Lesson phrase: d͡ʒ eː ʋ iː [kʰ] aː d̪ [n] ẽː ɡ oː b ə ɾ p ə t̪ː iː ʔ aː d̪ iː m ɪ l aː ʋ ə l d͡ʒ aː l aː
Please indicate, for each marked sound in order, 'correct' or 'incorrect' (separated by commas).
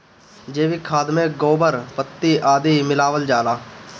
correct, incorrect